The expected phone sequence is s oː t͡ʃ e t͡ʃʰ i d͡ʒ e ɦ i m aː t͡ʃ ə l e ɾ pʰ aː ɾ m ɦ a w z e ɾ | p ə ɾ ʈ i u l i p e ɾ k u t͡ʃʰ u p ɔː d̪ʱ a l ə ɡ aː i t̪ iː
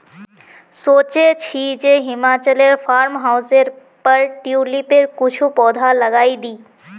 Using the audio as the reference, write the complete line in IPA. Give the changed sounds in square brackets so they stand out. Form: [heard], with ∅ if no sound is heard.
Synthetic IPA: s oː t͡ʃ e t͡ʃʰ i d͡ʒ e ɦ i m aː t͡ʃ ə l e ɾ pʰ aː ɾ m ɦ a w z e ɾ | p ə ɾ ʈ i u l i p e ɾ k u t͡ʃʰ u p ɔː d̪ʱ a l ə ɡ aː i [d̪] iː